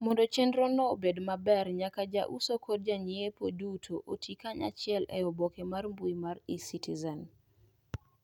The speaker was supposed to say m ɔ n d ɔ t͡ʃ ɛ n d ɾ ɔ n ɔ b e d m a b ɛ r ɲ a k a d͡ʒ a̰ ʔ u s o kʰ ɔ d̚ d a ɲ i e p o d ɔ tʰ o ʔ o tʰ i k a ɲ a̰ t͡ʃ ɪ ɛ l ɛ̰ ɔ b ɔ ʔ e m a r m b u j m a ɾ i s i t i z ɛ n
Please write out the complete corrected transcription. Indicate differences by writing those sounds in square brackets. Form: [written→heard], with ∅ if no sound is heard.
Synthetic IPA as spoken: m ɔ n d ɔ t͡ʃ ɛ n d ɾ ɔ n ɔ b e d m a b ɛ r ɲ a k a d͡ʒ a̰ ʔ u s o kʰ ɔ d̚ [d→d͡ʒ] a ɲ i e p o d [ɔ→u] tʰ o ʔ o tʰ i k a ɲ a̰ t͡ʃ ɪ ɛ l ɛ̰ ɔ b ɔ [ʔ→k] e m a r m b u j m a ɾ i s i t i z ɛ n